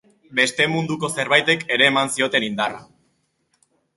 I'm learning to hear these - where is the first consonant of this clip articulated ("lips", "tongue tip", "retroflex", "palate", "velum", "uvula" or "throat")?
lips